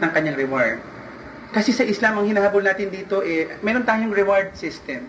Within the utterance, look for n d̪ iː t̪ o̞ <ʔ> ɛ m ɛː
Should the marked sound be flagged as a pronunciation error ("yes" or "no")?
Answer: no